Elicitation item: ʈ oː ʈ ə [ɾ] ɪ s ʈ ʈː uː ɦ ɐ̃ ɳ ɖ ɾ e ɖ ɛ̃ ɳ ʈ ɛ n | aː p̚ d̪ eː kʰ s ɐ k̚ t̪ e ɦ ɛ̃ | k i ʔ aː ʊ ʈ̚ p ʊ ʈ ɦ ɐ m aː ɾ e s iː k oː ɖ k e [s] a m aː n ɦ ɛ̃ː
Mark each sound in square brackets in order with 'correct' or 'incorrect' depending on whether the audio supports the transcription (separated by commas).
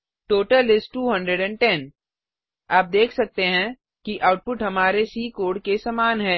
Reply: incorrect, correct